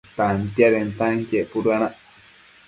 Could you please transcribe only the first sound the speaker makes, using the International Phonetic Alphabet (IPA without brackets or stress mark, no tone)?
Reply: t̪